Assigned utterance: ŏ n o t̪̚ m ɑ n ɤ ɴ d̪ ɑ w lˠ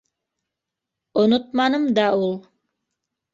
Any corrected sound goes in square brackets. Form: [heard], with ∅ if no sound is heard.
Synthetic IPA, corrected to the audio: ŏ n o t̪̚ m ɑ n ɤ [m] d̪ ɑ [u] lˠ